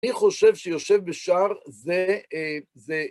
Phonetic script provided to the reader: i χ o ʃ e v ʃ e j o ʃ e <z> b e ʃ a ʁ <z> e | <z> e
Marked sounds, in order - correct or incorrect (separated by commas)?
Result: incorrect, correct, correct